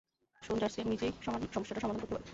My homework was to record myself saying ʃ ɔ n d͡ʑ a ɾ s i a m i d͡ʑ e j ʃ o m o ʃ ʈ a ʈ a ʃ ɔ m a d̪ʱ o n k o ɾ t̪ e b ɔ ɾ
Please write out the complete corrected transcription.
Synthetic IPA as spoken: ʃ o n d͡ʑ a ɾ s i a m i d͡ʑ e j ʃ ɔ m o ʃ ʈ a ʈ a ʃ ɔ m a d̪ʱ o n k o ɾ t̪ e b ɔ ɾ